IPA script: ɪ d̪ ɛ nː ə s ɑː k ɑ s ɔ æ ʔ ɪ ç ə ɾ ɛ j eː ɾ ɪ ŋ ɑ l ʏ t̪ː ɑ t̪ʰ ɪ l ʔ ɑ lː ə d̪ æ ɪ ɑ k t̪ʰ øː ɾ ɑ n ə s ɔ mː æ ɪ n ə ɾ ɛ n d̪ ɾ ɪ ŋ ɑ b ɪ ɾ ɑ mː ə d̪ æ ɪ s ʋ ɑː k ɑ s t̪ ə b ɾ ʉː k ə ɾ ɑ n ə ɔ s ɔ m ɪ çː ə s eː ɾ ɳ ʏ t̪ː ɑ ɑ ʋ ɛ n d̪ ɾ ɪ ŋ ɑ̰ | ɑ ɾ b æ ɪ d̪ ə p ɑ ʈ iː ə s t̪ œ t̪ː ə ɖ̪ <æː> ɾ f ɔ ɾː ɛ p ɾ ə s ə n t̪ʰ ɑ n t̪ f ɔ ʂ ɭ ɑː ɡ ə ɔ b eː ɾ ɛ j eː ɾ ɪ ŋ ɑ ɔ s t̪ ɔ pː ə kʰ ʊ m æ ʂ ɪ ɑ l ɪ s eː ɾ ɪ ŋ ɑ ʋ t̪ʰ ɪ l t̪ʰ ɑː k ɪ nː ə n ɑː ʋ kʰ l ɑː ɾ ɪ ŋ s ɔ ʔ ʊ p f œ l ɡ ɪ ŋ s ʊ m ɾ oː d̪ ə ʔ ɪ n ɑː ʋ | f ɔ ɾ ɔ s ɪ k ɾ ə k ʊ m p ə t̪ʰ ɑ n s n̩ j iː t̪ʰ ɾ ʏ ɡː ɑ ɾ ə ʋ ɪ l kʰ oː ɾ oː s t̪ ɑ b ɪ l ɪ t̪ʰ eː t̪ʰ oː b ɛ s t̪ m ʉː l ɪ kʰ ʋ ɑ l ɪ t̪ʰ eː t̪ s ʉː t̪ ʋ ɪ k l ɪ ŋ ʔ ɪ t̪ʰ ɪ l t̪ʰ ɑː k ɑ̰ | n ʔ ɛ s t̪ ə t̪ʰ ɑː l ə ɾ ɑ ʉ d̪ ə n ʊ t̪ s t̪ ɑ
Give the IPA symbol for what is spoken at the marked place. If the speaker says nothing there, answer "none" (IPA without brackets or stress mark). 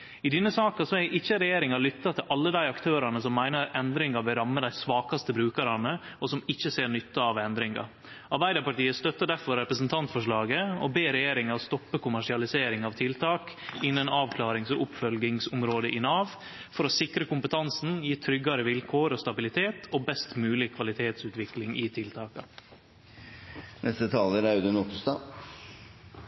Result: æ